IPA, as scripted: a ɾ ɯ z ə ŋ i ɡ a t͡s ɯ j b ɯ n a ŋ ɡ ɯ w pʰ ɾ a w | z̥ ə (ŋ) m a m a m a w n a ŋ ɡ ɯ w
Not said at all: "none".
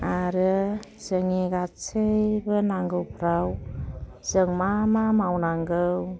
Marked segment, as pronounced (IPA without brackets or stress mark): ŋ